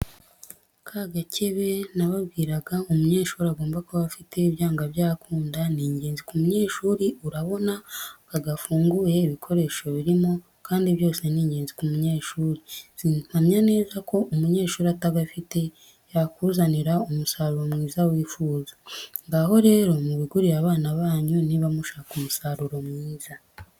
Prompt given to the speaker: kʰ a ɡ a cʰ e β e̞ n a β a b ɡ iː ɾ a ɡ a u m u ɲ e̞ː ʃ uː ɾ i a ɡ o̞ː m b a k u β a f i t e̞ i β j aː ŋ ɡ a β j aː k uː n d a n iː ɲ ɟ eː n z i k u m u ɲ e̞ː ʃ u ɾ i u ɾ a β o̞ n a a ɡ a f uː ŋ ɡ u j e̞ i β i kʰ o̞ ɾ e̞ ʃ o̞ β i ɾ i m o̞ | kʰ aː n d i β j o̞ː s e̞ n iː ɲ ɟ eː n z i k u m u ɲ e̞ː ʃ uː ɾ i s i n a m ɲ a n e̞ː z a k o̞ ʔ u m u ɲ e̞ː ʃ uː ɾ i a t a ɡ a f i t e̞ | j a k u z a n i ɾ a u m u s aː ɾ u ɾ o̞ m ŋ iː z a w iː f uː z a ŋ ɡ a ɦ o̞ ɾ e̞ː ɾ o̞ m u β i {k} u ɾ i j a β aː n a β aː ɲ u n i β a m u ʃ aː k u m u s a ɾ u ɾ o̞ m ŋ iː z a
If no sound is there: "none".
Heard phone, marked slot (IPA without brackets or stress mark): ɡ